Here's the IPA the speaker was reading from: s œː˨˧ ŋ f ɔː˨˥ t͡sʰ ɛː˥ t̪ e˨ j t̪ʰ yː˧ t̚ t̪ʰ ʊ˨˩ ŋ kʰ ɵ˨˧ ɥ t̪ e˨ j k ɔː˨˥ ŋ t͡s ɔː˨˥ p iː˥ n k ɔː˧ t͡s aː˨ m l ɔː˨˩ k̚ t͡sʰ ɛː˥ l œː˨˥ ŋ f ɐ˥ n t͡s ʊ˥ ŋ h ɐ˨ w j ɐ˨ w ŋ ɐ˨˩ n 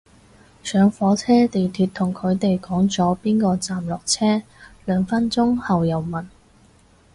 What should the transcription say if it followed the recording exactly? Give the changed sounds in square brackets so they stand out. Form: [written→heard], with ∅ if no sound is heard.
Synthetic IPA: s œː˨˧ ŋ f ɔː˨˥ t͡sʰ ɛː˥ t̪ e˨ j t̪ʰ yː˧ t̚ t̪ʰ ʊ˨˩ ŋ kʰ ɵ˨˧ ɥ t̪ e˨ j k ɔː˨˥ ŋ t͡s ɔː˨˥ p iː˥ n k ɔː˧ t͡s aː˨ m l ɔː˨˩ k̚ t͡sʰ ɛː˥ l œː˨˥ ŋ f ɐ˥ n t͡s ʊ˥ ŋ h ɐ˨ w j ɐ˨ w [ŋ→m] ɐ˨˩ n